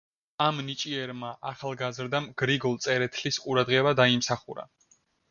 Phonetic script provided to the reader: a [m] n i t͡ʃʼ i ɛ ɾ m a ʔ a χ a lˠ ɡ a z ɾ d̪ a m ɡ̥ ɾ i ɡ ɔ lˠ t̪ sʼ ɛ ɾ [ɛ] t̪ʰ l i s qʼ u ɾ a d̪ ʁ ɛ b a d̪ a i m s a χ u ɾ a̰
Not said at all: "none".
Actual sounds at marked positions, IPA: m, ɛ

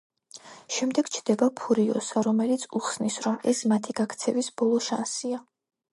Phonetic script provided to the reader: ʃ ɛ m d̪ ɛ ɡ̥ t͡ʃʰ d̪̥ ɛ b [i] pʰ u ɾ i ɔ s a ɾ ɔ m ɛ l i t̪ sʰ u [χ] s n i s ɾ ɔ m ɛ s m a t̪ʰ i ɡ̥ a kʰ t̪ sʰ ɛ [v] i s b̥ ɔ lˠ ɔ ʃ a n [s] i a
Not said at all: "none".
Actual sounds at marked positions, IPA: a, χ, v, s

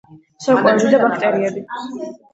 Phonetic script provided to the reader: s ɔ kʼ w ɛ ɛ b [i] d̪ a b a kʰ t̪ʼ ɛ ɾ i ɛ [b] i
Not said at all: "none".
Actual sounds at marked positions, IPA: i, b

